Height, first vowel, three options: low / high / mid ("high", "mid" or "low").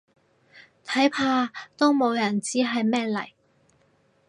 low